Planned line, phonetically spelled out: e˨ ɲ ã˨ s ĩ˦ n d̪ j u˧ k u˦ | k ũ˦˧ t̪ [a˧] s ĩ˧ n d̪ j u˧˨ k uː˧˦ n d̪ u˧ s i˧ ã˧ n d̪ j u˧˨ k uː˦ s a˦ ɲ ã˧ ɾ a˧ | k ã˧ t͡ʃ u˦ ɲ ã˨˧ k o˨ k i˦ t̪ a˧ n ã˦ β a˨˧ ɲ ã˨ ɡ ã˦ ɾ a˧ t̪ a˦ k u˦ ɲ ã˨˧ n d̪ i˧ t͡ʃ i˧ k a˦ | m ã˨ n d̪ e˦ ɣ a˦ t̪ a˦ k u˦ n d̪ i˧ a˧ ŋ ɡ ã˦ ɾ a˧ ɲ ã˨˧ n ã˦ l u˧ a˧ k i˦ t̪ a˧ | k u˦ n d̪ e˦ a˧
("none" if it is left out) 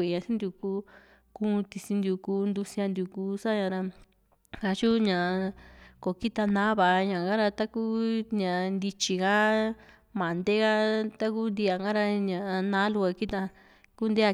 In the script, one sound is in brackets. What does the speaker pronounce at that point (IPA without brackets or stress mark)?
i˧